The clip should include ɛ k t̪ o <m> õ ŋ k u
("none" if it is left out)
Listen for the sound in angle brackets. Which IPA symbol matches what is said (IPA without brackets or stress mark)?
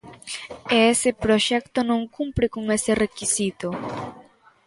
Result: n